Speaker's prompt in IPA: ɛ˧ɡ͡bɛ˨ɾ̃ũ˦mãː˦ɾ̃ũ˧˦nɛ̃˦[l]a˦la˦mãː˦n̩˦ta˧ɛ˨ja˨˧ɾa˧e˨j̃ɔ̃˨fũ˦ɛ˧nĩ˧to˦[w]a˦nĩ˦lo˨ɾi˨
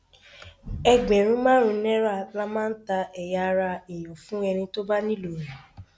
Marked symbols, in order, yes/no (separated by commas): no, no